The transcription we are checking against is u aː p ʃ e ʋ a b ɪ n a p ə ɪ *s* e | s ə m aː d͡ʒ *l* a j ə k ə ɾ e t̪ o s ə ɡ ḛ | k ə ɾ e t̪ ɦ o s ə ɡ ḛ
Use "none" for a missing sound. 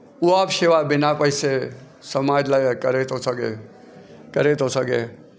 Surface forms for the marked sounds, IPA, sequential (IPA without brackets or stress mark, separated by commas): s, l